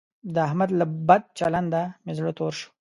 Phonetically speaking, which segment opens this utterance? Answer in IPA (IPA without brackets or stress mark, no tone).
d̪